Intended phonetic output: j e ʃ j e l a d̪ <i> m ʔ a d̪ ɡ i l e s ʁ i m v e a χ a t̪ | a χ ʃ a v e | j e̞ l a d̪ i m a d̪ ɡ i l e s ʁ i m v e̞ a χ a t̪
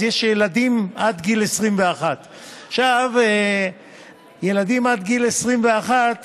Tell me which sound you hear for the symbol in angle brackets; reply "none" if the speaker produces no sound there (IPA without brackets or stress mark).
i